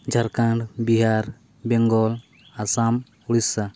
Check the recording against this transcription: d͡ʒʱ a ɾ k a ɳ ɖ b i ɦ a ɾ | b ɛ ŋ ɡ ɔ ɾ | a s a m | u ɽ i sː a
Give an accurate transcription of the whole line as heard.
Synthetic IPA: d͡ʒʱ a ɾ k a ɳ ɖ b i ɦ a ɾ | b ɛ ŋ ɡ ɔ l | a s a m | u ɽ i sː a